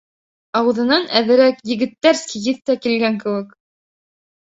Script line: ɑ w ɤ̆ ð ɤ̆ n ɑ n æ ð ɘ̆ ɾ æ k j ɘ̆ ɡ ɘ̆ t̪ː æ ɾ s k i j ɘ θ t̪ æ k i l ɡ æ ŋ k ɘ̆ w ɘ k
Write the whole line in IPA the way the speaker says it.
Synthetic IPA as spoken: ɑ w ɤ̆ ð ɤ̆ n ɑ n æ ð ɘ̆ ɾ æ k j ɘ̆ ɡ ɘ̆ t̪ː æ ɾ s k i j ɘ θ t̪ æ k i l ɡ æ ŋ k ɘ̆ w ɘ k